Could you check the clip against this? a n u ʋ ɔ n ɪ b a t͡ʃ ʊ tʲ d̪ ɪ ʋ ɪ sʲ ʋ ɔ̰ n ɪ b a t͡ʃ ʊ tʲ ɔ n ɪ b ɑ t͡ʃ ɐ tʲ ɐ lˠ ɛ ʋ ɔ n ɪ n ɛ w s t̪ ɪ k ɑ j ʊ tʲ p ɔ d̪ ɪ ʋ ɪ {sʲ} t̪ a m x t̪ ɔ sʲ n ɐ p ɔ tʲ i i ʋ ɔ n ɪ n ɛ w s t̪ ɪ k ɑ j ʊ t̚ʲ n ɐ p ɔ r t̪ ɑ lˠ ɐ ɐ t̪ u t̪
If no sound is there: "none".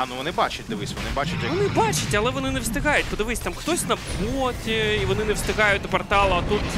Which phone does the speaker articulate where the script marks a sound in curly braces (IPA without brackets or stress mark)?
sʲ